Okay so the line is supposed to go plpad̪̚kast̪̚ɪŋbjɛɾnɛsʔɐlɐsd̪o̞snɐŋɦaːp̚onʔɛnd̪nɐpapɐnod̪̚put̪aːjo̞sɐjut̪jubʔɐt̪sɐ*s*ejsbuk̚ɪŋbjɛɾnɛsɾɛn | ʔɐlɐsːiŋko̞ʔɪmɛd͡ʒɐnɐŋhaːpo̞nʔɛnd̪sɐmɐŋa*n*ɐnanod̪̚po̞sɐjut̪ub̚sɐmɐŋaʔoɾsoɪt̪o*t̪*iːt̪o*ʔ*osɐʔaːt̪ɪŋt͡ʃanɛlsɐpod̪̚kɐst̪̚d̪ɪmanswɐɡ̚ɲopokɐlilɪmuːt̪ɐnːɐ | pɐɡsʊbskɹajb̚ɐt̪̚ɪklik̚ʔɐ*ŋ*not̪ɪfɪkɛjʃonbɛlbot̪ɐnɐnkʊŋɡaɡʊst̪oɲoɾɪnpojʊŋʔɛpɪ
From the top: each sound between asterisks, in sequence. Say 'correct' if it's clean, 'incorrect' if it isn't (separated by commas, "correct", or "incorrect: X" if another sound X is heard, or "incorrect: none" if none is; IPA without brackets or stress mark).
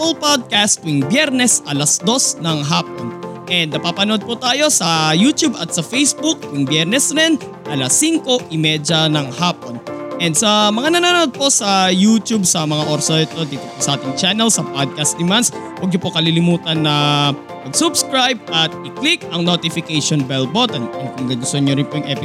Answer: incorrect: f, correct, incorrect: d̪, incorrect: p, correct